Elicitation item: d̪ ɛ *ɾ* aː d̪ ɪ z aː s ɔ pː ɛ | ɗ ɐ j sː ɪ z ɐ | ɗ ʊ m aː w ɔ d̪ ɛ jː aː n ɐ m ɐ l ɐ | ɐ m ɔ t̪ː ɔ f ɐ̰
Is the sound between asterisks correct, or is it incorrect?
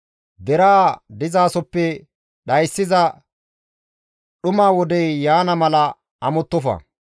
correct